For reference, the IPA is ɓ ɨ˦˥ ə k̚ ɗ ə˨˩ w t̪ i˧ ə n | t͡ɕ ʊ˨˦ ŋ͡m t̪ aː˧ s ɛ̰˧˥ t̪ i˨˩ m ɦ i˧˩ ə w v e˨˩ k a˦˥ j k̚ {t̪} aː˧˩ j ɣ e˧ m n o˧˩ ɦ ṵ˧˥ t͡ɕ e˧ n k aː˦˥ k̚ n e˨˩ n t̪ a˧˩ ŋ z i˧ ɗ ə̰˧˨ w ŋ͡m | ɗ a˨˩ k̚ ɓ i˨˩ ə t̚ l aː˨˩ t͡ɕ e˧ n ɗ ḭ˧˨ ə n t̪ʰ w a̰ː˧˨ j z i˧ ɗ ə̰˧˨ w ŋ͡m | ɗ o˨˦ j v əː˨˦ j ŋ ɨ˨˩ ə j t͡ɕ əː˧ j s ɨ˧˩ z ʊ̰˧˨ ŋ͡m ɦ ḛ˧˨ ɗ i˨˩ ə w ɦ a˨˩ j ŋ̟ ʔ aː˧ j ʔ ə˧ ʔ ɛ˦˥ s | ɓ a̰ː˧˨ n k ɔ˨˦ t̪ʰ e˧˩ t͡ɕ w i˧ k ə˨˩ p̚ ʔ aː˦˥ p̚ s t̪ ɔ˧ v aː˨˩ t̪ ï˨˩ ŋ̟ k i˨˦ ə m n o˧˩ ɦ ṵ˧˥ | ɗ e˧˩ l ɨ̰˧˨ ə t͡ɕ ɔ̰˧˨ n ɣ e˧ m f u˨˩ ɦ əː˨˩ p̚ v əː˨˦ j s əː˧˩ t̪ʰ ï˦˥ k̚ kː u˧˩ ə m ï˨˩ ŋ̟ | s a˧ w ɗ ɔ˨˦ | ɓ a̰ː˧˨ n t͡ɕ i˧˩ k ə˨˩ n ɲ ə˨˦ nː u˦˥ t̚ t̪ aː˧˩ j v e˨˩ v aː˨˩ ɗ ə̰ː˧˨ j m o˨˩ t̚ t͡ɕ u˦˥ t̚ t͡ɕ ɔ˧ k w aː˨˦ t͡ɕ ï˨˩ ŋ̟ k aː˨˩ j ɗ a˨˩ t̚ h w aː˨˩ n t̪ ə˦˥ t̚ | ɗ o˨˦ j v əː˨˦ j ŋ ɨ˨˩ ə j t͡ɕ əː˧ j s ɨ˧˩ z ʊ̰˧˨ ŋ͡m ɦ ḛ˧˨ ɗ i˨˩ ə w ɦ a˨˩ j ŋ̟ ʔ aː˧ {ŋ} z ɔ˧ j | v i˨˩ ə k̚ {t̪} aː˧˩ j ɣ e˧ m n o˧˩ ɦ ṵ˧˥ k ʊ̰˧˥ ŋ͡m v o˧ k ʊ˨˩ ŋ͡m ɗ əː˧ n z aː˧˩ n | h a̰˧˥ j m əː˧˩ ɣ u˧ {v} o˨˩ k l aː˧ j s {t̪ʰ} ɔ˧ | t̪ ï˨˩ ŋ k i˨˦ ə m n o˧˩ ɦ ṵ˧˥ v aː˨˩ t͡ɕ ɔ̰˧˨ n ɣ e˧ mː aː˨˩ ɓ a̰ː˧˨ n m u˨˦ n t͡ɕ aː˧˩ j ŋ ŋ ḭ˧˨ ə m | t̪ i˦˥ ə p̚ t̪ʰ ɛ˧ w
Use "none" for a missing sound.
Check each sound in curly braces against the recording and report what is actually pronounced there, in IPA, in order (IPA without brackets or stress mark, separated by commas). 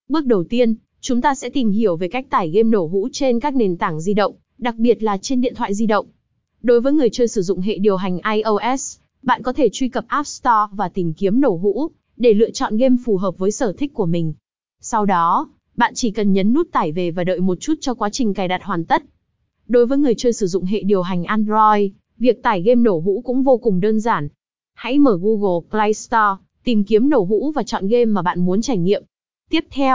t̪, n, t̪, ɣ, t̪